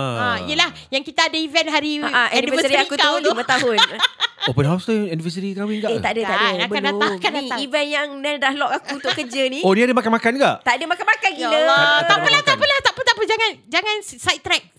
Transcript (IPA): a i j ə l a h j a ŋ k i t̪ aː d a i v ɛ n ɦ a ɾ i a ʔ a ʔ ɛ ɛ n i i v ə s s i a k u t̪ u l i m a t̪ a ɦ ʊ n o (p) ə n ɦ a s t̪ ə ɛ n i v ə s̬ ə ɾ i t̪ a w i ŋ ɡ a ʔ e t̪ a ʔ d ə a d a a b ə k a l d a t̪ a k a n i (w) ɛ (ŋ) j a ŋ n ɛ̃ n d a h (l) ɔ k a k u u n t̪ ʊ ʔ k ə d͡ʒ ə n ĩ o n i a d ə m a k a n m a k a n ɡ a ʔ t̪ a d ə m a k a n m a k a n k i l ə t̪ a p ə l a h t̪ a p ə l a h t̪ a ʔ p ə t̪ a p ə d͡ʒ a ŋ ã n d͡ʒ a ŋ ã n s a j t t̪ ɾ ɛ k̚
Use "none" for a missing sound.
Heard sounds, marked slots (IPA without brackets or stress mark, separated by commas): p, v, n, l